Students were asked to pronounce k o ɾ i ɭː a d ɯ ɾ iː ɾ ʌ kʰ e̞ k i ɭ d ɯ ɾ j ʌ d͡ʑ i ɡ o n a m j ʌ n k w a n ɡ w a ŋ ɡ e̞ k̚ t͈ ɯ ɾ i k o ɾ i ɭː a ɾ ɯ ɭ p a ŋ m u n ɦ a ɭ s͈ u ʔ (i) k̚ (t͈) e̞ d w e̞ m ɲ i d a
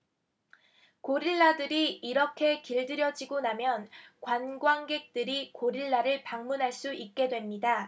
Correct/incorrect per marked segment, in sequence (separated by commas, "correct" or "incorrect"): correct, incorrect